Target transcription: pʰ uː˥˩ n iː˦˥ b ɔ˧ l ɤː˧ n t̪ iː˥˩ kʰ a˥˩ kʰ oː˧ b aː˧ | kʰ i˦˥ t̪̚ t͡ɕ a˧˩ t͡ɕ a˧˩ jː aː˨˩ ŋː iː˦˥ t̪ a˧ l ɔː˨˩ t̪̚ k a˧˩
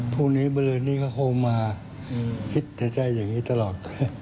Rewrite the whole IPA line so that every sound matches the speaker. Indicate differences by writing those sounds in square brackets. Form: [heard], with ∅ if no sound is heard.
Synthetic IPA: pʰ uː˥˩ n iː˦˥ b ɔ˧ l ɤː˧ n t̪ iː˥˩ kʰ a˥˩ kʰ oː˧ [m] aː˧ | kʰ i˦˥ t̪̚ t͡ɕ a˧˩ t͡ɕ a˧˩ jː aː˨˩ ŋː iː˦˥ t̪ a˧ l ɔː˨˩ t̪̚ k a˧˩